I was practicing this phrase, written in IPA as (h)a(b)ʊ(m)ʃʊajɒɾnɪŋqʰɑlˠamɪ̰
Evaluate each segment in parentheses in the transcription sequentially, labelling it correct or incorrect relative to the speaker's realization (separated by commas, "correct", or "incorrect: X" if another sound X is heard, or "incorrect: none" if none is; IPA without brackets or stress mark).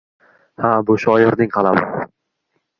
correct, correct, incorrect: none